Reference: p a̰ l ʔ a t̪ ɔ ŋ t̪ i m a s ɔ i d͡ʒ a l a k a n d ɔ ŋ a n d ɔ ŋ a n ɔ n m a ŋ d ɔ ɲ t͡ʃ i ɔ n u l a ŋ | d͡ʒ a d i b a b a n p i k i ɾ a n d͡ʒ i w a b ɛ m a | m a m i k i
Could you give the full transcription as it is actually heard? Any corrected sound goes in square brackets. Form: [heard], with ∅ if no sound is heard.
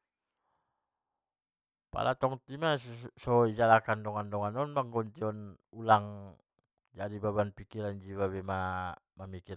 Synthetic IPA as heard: p a̰ l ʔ a t̪ ɔ ŋ t̪ i m a s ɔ i d͡ʒ a l a k a n d ɔ ŋ a n d ɔ ŋ a n ɔ n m a ŋ [ɡ] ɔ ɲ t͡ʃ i ɔ n u l a ŋ | d͡ʒ a d i b a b a n p i k i ɾ a n d͡ʒ i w a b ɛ m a | m a m i k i

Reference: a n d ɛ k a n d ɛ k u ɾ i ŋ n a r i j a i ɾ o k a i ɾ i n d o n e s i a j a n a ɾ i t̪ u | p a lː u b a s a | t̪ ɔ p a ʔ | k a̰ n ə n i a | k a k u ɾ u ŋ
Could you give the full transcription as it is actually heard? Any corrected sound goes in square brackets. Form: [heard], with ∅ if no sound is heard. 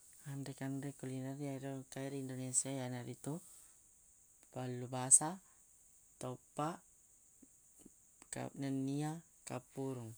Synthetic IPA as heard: a n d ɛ k a n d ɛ k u [l] i [∅] n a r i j a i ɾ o k a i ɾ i n d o n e s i a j a n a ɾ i t̪ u | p a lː u b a s a | t̪ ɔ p a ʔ | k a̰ n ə n i a | k a [p] u ɾ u ŋ

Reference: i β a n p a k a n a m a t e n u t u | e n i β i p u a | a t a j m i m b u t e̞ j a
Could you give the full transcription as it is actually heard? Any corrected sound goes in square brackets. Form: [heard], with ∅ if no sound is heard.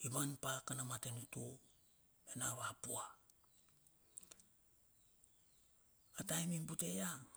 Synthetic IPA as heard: i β a n p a k a n a m a t e n u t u | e n [a] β [a] p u a | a t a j m i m b u t e̞ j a

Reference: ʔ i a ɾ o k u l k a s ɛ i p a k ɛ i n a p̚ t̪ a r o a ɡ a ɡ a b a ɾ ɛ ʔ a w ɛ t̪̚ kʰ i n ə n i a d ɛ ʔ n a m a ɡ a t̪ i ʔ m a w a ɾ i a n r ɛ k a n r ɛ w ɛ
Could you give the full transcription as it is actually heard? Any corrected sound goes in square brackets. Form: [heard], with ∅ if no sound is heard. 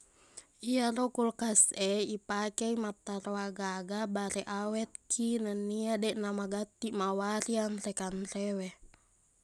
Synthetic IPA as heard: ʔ i a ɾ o k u l k a s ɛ i p a k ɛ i [m] a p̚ t̪ a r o a ɡ a ɡ a b a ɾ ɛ ʔ a w ɛ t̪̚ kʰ i n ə n i a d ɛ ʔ n a m a ɡ a t̪ i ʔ m a w a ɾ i a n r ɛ k a n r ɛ w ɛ

